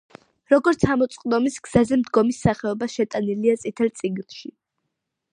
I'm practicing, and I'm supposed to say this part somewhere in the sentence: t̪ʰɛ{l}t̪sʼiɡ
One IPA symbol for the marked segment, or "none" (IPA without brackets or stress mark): l